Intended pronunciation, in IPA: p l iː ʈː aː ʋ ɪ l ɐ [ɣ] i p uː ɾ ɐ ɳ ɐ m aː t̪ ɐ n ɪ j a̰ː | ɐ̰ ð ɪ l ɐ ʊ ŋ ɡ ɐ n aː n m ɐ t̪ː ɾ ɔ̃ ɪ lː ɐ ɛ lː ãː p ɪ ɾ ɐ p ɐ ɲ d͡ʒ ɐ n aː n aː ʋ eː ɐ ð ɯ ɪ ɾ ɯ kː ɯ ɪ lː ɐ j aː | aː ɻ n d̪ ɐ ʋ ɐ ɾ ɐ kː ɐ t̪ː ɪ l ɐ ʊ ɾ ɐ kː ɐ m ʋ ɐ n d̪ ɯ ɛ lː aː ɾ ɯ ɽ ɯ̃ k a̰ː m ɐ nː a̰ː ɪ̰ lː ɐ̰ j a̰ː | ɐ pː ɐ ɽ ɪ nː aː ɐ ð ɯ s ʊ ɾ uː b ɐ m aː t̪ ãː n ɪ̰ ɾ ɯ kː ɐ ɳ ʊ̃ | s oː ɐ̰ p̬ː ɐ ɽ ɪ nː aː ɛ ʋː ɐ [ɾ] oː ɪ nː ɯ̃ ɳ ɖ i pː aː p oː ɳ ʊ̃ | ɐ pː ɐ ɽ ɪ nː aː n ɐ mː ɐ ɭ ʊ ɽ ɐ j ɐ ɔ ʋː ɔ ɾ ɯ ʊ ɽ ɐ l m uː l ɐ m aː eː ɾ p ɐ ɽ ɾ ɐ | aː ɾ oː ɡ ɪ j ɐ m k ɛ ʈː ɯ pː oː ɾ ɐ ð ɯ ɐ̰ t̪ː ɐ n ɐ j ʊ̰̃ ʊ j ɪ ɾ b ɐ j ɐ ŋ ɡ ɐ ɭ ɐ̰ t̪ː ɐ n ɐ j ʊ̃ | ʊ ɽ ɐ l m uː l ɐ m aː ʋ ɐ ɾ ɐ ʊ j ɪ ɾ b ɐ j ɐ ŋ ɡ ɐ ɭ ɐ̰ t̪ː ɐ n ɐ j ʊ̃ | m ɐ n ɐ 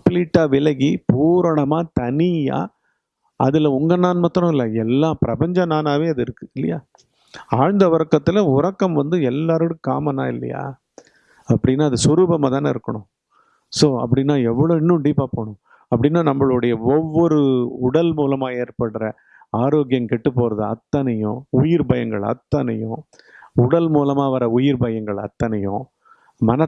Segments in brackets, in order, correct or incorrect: correct, incorrect: ɭ

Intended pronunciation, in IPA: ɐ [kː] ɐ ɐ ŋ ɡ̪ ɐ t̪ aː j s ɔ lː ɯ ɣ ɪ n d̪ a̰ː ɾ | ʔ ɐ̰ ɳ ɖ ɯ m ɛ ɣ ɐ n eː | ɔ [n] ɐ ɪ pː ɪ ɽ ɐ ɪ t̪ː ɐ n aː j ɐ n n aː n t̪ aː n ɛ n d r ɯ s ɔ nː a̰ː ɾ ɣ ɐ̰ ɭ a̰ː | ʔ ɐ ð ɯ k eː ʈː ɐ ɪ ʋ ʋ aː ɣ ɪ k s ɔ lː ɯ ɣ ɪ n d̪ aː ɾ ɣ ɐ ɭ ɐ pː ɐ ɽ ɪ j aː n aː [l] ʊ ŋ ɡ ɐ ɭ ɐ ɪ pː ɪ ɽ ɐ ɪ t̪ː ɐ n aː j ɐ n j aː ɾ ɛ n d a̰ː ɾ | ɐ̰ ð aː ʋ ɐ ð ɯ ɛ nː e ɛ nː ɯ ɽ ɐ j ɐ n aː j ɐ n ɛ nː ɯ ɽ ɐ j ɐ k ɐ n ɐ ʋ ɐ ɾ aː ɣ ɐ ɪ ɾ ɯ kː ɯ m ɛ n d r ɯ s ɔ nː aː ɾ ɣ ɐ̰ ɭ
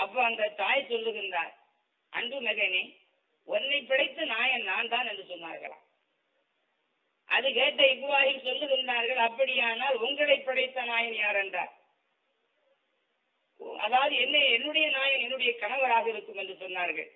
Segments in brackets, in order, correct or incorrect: incorrect: pː, incorrect: nː, correct

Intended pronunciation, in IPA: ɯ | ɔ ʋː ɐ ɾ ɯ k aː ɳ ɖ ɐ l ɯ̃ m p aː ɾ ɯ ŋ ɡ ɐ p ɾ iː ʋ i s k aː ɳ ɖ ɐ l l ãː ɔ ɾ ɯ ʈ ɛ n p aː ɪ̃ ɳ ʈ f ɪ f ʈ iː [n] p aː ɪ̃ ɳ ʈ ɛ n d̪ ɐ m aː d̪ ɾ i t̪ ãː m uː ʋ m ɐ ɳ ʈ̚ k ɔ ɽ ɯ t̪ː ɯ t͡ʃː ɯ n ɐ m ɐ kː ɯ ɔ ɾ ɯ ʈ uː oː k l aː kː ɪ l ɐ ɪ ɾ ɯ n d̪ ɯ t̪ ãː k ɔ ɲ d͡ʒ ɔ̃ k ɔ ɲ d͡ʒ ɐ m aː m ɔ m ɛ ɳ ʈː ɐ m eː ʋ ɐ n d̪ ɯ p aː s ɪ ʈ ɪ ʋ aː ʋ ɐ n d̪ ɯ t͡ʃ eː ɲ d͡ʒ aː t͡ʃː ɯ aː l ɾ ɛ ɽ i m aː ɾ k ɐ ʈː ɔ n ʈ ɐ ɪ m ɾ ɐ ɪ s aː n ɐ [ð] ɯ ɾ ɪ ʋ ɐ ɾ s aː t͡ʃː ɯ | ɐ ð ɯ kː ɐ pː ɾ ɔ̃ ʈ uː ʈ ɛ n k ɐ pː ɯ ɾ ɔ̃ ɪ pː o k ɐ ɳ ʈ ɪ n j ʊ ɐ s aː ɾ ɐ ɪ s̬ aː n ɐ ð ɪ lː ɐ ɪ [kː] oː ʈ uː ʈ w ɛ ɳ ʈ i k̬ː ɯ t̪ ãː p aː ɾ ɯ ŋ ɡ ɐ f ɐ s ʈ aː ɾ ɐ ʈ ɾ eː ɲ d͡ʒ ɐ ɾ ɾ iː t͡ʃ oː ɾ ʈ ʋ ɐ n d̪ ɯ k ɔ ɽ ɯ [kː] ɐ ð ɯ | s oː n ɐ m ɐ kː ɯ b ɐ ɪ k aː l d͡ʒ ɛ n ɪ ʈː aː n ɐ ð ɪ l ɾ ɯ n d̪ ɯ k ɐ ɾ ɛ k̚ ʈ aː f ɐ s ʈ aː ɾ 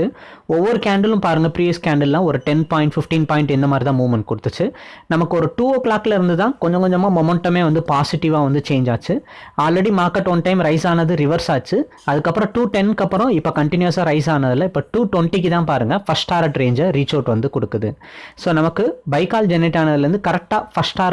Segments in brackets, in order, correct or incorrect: correct, correct, incorrect: pː, correct

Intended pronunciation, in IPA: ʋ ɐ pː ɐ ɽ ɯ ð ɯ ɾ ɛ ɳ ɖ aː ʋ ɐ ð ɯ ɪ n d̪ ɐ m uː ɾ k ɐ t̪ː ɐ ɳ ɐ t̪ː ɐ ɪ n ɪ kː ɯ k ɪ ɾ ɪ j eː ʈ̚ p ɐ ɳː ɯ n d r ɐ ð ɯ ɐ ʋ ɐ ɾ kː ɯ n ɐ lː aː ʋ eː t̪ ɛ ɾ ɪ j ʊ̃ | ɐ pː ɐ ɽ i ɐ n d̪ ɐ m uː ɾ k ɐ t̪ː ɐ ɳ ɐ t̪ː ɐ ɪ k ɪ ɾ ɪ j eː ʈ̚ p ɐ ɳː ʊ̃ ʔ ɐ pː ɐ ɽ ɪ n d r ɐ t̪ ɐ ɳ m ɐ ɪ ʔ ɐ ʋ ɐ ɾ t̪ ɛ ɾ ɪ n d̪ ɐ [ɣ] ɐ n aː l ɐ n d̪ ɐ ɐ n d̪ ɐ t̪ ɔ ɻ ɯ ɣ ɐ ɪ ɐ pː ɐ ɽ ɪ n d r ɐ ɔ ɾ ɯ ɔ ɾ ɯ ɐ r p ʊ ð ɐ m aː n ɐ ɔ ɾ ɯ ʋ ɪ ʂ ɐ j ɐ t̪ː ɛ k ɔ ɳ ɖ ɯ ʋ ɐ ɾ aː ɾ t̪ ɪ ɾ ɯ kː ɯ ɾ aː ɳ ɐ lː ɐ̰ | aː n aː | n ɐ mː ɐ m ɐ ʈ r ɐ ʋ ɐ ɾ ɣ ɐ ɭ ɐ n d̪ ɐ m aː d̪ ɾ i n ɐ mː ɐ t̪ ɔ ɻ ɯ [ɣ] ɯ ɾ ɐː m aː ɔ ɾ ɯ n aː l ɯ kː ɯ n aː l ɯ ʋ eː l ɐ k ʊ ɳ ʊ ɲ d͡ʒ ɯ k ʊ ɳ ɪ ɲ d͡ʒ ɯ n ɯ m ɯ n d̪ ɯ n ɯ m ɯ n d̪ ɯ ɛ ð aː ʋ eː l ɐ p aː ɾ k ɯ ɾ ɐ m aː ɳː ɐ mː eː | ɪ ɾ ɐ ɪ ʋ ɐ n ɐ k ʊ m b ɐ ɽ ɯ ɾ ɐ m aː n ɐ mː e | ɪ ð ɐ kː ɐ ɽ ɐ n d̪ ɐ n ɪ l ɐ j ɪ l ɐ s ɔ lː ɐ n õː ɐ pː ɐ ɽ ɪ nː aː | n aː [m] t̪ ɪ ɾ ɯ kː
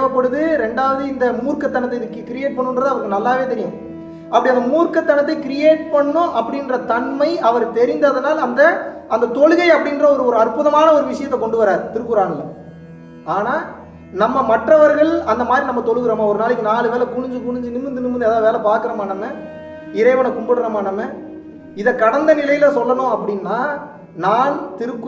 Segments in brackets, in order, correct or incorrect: incorrect: ð, correct, incorrect: n

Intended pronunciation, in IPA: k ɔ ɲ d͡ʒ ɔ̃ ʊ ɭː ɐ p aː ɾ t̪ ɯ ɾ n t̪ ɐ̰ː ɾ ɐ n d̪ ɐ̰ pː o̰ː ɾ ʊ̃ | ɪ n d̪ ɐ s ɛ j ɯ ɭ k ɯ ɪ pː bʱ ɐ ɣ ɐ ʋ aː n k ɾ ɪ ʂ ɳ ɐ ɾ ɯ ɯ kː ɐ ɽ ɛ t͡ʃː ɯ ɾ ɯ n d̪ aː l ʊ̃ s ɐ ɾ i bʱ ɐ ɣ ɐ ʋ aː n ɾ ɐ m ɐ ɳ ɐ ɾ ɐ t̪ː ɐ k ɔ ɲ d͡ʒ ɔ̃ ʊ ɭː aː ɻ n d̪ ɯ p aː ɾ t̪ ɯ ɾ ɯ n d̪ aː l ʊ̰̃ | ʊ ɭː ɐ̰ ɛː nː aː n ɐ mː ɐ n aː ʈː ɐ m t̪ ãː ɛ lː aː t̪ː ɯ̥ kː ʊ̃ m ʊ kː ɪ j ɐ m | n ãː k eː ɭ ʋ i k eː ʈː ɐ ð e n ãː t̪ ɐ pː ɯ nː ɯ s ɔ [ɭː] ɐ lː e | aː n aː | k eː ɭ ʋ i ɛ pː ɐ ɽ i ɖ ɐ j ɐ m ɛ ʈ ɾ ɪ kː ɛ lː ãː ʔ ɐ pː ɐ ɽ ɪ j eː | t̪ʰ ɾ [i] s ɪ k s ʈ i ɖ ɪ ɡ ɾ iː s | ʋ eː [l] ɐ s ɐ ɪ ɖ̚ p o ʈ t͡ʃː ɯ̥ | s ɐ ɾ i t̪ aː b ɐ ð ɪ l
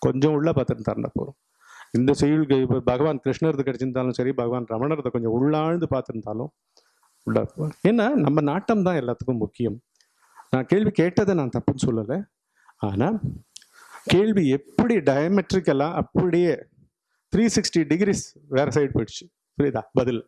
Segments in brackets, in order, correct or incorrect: incorrect: lː, incorrect: iː, incorrect: ɾ

